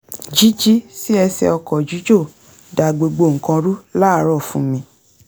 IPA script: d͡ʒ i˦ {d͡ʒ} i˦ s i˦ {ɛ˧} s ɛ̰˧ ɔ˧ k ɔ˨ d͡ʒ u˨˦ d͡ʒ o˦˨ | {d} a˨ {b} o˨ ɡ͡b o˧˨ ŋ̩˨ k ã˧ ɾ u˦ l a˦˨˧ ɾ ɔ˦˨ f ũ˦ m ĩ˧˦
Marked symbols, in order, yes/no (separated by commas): yes, yes, yes, no